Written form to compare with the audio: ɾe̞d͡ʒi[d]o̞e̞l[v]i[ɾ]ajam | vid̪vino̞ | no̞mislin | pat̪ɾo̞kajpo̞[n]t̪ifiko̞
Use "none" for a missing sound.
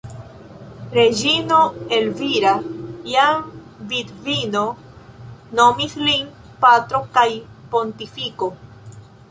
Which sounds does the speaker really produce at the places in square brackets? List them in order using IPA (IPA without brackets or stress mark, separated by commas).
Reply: n, v, ɾ, n